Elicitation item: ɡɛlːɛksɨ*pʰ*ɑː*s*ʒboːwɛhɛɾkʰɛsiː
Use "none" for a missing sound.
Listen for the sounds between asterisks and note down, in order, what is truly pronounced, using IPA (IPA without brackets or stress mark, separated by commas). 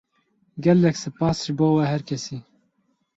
p, s